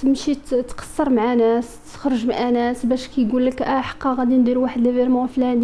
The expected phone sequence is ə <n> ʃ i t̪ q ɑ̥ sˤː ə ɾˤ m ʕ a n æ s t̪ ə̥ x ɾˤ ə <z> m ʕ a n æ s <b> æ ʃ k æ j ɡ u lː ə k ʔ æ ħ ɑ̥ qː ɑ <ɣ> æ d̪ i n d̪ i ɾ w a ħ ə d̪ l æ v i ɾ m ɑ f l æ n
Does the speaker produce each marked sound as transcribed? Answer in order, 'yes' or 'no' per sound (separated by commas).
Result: no, no, yes, yes